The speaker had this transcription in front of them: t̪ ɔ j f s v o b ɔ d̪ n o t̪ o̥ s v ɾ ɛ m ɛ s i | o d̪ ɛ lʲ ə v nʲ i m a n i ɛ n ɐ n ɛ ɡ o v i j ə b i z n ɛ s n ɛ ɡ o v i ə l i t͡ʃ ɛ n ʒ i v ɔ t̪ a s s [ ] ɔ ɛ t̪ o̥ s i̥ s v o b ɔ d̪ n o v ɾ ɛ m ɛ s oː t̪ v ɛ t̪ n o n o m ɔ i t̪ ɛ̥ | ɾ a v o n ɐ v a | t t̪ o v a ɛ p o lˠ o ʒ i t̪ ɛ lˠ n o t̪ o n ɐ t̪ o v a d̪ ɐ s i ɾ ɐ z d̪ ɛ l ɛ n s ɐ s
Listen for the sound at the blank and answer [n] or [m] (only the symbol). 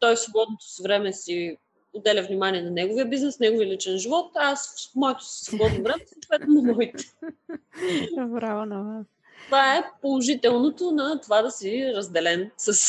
m